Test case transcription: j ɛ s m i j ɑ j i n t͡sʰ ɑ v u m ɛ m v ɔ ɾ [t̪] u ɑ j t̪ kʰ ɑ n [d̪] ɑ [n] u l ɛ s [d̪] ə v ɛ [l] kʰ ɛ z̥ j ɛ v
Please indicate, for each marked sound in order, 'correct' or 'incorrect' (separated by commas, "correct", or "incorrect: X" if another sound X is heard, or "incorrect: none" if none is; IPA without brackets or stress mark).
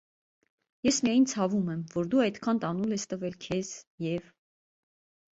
incorrect: d̪, incorrect: t̪, correct, incorrect: t̪, correct